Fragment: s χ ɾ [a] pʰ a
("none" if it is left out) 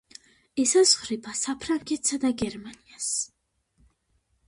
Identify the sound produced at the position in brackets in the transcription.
i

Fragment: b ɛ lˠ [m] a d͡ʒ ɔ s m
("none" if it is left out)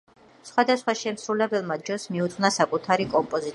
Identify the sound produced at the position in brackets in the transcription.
m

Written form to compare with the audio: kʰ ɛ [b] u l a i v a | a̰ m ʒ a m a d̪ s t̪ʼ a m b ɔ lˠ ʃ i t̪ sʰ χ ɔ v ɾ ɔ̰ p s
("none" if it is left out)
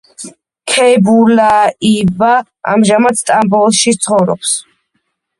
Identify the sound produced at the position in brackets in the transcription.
b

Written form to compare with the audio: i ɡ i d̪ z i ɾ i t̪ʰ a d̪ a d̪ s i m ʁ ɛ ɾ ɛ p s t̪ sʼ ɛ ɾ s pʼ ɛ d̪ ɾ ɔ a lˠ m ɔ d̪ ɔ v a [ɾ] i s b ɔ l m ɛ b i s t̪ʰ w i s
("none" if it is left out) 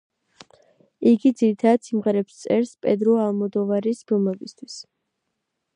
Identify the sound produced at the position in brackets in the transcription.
ɾ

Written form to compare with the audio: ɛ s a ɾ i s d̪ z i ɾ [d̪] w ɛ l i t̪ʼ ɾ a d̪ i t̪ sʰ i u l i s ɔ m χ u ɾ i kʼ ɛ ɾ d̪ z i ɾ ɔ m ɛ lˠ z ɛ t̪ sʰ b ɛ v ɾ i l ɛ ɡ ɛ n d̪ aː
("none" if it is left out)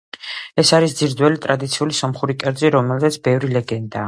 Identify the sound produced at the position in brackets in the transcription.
d̪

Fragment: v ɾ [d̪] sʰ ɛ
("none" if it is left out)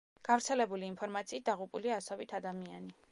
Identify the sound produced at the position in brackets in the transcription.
t̪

